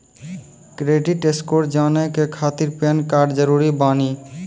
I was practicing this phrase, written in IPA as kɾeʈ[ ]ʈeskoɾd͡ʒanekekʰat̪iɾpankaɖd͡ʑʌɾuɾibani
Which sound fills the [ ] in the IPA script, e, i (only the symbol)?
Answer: i